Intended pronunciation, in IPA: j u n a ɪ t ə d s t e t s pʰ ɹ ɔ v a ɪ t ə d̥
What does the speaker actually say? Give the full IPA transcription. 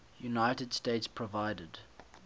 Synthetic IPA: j u n a ɪ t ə d s t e t s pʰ ɹ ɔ v a ɪ d ə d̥

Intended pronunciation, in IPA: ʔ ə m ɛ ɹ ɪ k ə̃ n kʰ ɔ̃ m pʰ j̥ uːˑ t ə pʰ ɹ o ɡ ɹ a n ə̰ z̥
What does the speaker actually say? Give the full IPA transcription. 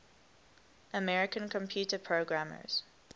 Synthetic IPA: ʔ ə m ɛ ɹ ɪ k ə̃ n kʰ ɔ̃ m pʰ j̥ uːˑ t ə pʰ ɹ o ɡ ɹ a m ə̰ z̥

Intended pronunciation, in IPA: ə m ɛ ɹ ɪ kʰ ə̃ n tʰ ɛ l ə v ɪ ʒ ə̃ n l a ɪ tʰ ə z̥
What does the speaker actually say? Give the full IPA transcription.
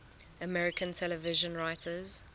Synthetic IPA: ə m ɛ ɹ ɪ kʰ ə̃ n tʰ ɛ l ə v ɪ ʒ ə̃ n ɹ a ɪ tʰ ə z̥

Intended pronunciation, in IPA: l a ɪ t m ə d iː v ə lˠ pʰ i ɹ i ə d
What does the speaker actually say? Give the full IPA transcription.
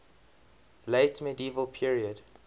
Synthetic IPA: l e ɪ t m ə d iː v ə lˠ pʰ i ɹ i ə d

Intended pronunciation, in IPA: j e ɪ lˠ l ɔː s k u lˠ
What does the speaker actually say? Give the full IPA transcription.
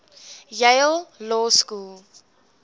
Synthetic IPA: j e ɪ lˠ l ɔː s k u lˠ

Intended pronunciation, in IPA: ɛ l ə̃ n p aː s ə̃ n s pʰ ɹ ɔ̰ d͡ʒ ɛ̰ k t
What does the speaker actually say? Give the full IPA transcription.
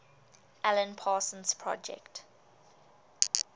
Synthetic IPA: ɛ l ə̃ n pʰ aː s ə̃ n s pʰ ɹ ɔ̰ d͡ʒ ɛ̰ k t

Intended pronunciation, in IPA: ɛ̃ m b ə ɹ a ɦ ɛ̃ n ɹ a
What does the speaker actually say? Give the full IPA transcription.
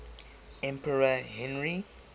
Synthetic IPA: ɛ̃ m p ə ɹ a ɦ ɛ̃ n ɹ i

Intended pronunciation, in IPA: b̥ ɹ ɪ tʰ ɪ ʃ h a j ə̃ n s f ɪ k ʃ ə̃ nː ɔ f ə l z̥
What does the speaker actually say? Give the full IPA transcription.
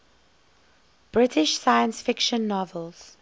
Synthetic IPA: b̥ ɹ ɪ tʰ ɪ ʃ s a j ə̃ n s f ɪ k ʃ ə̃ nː ɔ v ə l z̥

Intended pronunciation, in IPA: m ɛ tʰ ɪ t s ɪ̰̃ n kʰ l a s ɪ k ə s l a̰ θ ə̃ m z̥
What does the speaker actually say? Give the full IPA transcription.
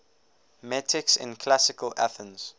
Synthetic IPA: m ɛ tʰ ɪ k s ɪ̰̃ n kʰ l a s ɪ k ə l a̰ θ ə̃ n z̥

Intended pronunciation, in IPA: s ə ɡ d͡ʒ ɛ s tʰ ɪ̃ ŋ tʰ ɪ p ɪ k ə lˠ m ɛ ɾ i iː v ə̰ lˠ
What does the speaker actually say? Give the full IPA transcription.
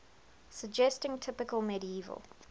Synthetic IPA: s ə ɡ d͡ʒ ɛ s t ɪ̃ ŋ tʰ ɪ p ɪ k ə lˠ m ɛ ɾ i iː v ə̰ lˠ

